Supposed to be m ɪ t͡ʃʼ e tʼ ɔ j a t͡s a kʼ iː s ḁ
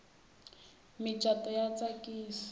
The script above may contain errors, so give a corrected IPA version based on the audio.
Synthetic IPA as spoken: m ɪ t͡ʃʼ a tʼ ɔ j a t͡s a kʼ iː s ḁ